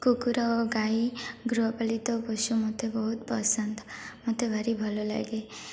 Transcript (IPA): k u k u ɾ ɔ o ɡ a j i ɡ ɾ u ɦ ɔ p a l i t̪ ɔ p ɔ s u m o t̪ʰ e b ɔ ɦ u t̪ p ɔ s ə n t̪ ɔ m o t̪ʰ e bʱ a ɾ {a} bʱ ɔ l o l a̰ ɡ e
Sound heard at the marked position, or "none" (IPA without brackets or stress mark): i